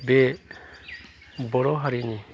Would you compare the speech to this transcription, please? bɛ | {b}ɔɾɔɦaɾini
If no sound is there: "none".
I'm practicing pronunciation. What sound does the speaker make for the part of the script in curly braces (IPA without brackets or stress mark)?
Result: b